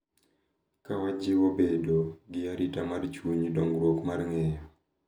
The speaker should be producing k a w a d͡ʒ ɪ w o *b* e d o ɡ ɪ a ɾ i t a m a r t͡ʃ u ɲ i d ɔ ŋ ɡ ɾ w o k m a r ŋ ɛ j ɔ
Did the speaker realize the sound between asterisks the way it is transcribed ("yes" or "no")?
yes